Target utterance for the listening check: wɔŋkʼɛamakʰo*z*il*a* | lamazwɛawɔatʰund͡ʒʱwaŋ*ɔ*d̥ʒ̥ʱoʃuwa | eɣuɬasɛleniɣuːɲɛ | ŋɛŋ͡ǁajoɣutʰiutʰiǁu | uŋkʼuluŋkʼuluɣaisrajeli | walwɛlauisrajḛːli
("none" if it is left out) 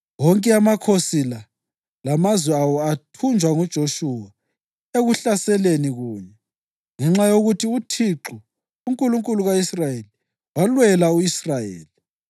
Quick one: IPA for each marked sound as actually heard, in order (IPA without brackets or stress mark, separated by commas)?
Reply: s, a, u